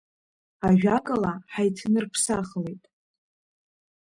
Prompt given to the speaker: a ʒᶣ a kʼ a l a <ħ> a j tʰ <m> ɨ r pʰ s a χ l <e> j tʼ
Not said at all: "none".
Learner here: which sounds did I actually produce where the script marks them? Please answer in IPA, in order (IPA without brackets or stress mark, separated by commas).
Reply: ħ, n, e